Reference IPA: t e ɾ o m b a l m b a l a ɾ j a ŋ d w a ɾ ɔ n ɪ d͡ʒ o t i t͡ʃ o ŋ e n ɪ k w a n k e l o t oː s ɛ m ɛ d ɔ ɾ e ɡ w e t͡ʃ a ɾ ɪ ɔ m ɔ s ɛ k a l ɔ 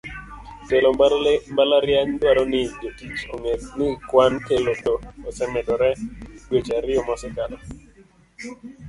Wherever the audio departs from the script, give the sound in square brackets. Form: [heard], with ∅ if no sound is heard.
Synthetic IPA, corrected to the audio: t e [l] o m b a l m b a l a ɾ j a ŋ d w a ɾ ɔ n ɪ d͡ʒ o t i t͡ʃ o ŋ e n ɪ k w a n k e l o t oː s ɛ m ɛ d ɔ ɾ [ɛ] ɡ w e t͡ʃ a ɾ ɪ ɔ m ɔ s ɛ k a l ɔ